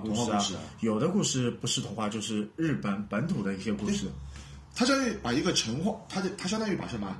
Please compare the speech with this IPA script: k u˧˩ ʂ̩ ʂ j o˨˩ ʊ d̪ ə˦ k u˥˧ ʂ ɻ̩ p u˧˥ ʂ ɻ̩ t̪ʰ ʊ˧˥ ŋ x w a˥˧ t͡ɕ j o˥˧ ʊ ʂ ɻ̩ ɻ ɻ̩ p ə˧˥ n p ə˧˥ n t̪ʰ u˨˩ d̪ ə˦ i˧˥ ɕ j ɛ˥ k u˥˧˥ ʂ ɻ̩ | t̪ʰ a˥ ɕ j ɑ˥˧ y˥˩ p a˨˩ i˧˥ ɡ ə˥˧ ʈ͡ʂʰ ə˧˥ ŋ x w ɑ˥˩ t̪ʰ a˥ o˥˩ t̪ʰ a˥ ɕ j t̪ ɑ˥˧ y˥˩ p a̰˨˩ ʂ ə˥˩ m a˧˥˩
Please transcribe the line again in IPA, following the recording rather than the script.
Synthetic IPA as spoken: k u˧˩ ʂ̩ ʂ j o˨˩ ʊ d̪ ə˦ k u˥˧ ʂ ɻ̩ p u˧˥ ʂ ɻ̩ t̪ʰ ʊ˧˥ ŋ x w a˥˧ t͡ɕ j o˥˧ ʊ ʂ ɻ̩ ɻ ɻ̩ p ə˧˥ n p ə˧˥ n t̪ʰ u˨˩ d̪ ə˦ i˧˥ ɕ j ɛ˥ k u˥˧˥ ʂ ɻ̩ | t̪ʰ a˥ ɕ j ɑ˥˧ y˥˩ p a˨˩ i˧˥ ɡ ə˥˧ ʈ͡ʂʰ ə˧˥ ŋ x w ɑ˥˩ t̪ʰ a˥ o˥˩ t̪ʰ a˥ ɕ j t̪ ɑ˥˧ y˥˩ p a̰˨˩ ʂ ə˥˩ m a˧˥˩